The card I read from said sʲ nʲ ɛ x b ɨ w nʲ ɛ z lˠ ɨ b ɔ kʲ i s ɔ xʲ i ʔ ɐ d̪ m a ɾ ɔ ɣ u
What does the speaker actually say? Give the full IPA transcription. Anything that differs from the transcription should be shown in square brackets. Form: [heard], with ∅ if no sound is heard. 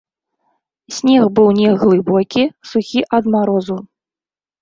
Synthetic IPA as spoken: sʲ nʲ ɛ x b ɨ w nʲ ɛ [ɣ] lˠ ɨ b ɔ kʲ i s [u] xʲ i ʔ ɐ d̪ m a ɾ ɔ [z] u